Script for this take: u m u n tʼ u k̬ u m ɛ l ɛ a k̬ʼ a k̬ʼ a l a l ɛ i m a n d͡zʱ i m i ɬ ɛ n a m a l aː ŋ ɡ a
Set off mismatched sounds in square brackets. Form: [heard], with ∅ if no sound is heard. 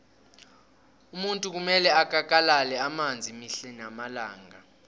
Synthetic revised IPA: u m u n tʼ u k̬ u m ɛ l ɛ a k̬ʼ a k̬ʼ a l a l ɛ [a] m a n d͡zʱ i m i ɬ ɛ n a m a l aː ŋ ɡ a